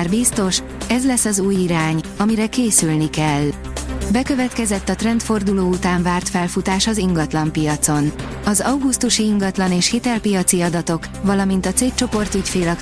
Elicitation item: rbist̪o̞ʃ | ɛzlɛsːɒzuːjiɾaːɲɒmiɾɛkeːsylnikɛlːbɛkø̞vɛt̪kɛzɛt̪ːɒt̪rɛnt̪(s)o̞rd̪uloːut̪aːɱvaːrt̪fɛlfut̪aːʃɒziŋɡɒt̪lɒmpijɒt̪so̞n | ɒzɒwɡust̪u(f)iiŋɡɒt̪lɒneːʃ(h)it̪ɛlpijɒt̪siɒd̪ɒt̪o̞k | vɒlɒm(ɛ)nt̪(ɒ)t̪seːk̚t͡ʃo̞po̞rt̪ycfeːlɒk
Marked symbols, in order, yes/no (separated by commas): no, no, yes, no, yes